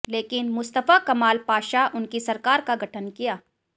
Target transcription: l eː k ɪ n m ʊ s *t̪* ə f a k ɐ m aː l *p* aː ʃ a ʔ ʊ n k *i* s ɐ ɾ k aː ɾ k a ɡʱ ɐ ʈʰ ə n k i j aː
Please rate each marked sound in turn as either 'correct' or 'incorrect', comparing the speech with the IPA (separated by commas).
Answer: correct, correct, correct